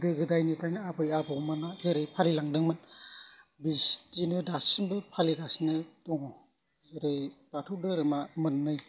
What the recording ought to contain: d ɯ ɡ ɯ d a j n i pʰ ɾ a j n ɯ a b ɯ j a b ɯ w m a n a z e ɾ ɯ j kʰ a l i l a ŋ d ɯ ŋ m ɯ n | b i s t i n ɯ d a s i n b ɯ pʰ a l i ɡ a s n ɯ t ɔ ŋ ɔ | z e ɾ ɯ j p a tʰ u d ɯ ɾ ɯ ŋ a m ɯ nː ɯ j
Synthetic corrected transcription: d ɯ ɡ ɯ d a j n i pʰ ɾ a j n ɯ a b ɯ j a b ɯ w m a n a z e ɾ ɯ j pʰ a l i l a ŋ d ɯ ŋ m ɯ n | b i s t i n ɯ d a s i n b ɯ pʰ a l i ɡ a s n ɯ t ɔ ŋ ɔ | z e ɾ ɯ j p a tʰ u d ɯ ɾ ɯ m a m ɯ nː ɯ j